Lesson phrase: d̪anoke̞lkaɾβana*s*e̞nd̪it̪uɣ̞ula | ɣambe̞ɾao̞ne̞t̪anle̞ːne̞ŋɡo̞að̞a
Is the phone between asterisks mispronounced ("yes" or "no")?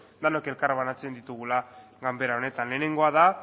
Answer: yes